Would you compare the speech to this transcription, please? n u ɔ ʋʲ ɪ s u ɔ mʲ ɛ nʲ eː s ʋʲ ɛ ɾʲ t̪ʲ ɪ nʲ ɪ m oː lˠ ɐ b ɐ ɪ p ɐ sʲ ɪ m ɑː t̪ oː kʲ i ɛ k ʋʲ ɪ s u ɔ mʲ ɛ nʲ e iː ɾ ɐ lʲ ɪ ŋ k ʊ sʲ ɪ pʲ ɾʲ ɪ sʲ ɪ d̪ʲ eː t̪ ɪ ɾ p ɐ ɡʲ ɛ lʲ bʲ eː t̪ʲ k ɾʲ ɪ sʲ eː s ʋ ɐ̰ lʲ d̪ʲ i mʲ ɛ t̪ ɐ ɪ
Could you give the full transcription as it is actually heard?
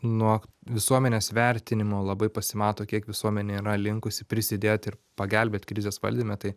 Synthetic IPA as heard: n u ɔ ʋʲ ɪ s u ɔ mʲ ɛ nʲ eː s ʋʲ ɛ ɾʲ t̪ʲ ɪ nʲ ɪ m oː lˠ ɐ b ɐ ɪ p ɐ sʲ ɪ m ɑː t̪ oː kʲ i ɛ k ʋʲ ɪ s u ɔ mʲ ɛ nʲ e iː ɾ ɐ lʲ ɪ ŋ k ʊ sʲ ɪ pʲ ɾʲ ɪ sʲ ɪ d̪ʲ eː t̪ ɪ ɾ p ɐ ɡʲ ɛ lʲ bʲ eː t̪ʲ k ɾʲ ɪ zʲ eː s ʋ ɐ̰ lʲ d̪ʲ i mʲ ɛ t̪ ɐ ɪ

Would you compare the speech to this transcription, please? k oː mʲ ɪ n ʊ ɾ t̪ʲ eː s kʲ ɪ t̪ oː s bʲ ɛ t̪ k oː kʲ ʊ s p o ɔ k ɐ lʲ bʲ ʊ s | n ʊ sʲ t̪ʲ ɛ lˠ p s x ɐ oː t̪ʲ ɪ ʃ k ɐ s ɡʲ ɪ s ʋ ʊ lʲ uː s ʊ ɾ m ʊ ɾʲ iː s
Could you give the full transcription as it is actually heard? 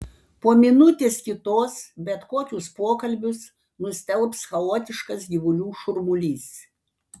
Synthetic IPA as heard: p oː mʲ ɪ n ʊ t̪ʲ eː s kʲ ɪ t̪ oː s bʲ ɛ t̪ k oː kʲ ʊ s p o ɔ k ɐ lʲ bʲ ʊ s | n ʊ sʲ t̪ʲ ɛ lˠ p s x ɐ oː t̪ʲ ɪ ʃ k ɐ s ɡʲ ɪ ʋ ʊ lʲ uː ʃ ʊ ɾ m ʊ lʲ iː s

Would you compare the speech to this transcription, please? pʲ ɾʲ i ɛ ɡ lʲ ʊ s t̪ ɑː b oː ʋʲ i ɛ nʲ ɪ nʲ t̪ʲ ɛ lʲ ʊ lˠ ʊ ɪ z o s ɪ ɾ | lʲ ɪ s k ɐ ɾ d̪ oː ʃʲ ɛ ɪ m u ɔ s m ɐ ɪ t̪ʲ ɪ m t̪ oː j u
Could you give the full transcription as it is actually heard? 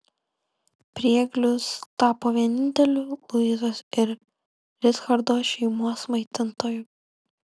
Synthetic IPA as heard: pʲ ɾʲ i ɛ ɡ lʲ ʊ s t̪ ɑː p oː ʋʲ i ɛ nʲ ɪ nʲ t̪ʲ ɛ lʲ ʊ lˠ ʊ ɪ z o s ɪ ɾ | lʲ ɪ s x ɐ ɾ d̪ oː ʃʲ ɛ ɪ m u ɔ s m ɐ ɪ t̪ʲ ɪ n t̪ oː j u

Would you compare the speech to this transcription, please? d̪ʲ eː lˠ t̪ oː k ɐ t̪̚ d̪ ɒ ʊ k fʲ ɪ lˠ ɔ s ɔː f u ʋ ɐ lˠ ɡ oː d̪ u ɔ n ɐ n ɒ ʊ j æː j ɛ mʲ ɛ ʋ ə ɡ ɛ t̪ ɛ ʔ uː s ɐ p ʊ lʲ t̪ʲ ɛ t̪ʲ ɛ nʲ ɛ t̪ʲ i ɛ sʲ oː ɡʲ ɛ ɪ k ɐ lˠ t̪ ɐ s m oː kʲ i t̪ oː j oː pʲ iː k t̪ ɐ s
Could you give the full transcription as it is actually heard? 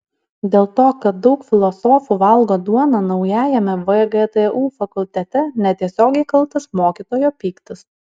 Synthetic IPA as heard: d̪ʲ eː lˠ t̪ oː k ɐ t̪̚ d̪ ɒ ʊ k fʲ ɪ lˠ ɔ s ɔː f u ʋ ɐ lˠ ɡ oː d̪ u ɔ n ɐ n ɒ ʊ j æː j ɛ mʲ ɛ ʋ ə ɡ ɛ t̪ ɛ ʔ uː f ɐ k ʊ lʲ t̪ʲ ɛ t̪ʲ ɛ nʲ ɛ t̪ʲ i ɛ sʲ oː ɡʲ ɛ ɪ k ɐ lˠ t̪ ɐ s m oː kʲ i t̪ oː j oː pʲ iː k t̪ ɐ s

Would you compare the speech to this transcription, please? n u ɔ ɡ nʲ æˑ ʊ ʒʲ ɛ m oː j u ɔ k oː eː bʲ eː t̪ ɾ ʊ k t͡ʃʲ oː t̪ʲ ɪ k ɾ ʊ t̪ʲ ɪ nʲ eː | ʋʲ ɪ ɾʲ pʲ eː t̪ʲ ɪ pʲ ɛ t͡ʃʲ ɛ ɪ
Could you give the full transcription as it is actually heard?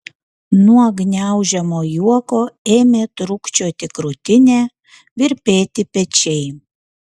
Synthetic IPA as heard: n u ɔ ɡ nʲ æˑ ʊ ʒʲ ɛ m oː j u ɔ k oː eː mʲ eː t̪ ɾ ʊ k t͡ʃʲ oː t̪ʲ ɪ k ɾ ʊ t̪ʲ ɪ nʲ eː | ʋʲ ɪ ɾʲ pʲ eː t̪ʲ ɪ pʲ ɛ t͡ʃʲ ɛ ɪ

